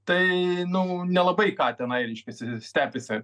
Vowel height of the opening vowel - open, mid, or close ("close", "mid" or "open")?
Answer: open